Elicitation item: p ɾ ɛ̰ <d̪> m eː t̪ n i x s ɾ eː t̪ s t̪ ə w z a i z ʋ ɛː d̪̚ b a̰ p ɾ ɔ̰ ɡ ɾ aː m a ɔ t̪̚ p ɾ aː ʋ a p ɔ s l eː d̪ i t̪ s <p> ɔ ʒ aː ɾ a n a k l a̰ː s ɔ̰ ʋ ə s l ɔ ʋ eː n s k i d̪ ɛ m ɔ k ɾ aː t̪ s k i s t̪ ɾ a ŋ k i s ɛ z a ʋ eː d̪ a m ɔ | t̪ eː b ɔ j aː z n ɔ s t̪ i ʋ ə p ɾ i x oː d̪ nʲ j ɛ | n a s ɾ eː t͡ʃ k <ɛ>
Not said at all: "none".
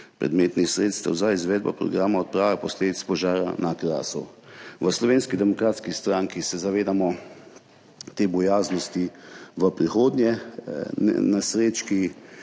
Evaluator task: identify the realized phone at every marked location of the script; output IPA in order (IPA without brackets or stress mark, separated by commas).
d̪, p, i